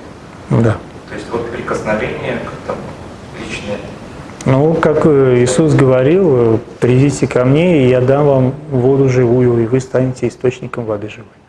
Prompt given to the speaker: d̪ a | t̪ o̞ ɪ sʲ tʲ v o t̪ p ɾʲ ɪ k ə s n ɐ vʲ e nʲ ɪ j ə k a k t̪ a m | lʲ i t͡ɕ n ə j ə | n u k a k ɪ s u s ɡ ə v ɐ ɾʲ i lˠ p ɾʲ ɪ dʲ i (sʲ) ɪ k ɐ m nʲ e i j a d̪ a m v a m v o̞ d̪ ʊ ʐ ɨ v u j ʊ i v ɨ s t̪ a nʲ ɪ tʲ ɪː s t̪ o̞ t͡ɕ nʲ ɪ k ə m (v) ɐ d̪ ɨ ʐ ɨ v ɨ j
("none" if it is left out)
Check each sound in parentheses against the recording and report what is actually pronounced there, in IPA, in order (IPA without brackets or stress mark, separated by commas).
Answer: tʲ, v